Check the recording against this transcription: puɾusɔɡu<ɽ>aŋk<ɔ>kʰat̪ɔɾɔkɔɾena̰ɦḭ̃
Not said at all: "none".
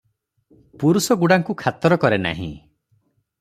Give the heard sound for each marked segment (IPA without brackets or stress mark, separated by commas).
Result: ɽ, u